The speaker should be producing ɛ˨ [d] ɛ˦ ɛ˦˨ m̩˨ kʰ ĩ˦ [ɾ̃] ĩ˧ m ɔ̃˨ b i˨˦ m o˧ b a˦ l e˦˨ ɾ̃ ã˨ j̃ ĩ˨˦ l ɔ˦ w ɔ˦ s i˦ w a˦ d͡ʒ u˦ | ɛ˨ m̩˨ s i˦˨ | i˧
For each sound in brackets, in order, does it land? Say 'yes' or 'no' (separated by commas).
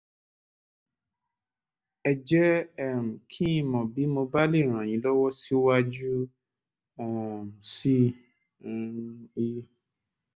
no, no